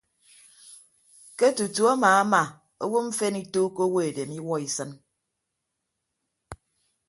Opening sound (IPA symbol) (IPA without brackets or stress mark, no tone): k